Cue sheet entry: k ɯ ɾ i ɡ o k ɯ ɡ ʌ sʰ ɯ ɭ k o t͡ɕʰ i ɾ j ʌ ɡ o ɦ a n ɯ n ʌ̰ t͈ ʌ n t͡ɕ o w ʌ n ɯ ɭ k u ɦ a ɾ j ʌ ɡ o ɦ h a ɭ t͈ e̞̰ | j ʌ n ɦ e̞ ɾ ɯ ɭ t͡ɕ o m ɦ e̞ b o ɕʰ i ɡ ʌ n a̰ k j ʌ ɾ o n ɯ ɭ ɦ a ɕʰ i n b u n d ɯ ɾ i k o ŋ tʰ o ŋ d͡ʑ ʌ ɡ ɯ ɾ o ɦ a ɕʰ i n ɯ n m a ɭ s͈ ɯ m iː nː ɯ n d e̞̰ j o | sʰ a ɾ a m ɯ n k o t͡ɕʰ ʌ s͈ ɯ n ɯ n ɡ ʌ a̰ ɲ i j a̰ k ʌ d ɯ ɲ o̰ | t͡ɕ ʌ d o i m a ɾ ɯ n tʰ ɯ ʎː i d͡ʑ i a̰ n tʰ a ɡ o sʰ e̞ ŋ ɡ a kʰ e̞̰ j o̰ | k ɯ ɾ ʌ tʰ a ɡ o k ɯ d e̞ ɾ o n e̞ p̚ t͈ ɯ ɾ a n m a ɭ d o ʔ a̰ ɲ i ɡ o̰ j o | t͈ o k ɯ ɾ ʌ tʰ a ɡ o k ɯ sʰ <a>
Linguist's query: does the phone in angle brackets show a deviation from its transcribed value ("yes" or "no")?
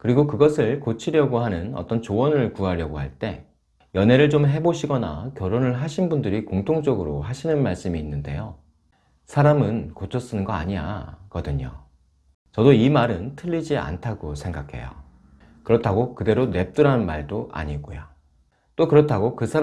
no